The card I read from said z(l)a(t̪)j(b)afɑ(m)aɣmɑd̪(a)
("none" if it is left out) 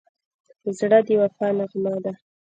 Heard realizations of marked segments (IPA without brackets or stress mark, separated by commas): ɽ, d̪, w, n, a